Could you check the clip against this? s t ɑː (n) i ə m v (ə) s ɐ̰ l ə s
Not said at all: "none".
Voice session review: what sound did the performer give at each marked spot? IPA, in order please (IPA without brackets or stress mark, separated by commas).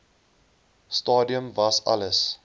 d, ɐ